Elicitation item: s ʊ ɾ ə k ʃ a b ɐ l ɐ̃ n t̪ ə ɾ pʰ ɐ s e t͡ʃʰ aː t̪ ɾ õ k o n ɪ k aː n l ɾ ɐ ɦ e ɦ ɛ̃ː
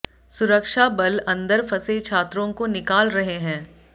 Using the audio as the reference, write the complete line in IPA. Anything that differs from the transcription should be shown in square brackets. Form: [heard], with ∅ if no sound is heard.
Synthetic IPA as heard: s ʊ ɾ ə k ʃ a b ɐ l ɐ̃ n [d̪] ə ɾ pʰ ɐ s e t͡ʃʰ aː t̪ ɾ õ k o n ɪ k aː [∅] l ɾ ɐ ɦ e ɦ ɛ̃ː